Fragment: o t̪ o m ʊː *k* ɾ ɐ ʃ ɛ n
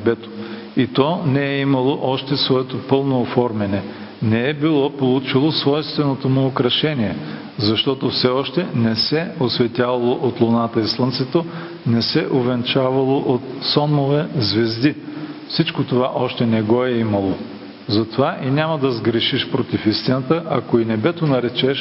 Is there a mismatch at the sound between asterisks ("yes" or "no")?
no